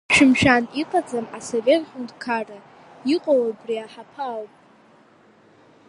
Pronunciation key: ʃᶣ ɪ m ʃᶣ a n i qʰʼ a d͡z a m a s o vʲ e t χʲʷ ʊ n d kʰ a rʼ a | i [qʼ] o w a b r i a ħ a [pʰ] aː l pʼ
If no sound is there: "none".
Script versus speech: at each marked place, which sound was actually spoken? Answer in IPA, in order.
qʼ, pʰ

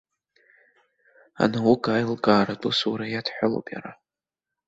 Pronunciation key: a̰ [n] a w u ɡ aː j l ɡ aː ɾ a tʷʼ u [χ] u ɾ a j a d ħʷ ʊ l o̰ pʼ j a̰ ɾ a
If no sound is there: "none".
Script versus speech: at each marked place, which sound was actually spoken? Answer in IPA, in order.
n, s

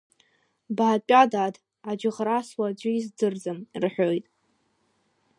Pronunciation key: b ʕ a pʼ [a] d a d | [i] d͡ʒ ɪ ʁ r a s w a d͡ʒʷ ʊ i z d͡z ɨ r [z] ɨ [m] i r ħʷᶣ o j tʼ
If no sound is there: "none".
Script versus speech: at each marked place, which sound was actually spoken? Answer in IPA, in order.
a, a, d͡z, m

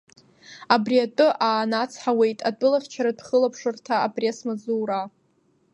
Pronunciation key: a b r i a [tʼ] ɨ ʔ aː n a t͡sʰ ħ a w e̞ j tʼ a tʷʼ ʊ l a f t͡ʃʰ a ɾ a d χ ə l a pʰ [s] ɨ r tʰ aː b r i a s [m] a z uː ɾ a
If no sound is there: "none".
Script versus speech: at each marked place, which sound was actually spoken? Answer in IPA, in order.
tʼ, ʂ, m

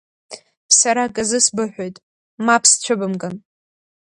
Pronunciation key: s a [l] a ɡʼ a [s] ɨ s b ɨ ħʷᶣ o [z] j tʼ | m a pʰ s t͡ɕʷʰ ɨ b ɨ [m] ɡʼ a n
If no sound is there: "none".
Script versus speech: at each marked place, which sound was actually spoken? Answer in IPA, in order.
ɾ, z, none, m

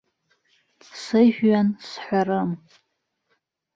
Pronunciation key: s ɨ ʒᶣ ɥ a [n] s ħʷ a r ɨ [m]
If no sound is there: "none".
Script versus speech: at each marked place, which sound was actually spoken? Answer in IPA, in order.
n, m

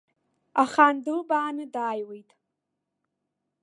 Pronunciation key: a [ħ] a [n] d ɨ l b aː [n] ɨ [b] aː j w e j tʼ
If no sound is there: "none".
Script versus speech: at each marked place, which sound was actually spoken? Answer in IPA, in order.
χ, n, n, d

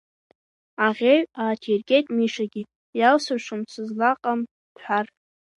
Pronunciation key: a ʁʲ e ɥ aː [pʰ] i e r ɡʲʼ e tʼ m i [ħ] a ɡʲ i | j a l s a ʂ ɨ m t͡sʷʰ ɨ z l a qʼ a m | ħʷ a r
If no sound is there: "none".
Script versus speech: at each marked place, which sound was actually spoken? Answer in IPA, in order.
tʰ, ʂ

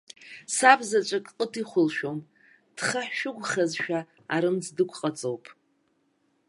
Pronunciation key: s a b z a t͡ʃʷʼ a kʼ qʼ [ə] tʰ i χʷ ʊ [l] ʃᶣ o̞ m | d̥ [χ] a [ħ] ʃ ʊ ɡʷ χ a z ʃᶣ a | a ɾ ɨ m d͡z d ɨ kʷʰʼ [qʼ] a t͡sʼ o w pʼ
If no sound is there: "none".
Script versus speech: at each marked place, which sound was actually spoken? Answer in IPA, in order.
ə, l, χ, ħ, qʼ

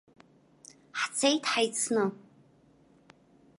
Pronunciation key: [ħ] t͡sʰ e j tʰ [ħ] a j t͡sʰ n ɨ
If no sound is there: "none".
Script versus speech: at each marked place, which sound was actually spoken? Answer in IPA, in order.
ħ, ħ

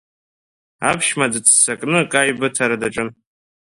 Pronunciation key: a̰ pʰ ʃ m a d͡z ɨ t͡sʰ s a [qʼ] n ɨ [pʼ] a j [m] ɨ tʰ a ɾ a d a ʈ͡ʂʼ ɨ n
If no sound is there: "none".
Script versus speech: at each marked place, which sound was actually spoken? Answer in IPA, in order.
kʼ, kʼ, b

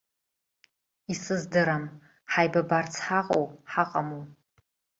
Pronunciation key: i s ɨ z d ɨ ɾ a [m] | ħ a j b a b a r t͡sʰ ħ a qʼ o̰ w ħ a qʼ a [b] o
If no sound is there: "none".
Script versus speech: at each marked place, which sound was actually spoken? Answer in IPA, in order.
m, m

